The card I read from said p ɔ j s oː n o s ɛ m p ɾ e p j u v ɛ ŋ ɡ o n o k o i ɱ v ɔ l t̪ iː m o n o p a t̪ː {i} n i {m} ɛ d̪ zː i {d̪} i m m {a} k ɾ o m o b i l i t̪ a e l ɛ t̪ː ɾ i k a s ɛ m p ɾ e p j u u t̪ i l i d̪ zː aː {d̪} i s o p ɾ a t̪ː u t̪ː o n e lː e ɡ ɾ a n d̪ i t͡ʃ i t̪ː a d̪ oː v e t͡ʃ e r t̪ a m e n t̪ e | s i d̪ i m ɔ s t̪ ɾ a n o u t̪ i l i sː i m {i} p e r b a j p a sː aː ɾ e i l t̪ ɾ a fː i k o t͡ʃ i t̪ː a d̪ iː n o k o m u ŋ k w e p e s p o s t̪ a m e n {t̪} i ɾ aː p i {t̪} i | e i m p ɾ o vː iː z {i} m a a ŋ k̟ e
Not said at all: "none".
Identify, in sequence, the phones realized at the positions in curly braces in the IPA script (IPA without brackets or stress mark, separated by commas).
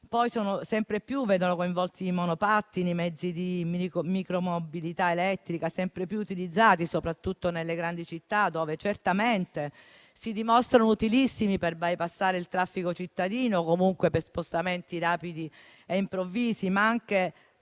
i, m, d̪, i, t̪, i, t̪, d̪, i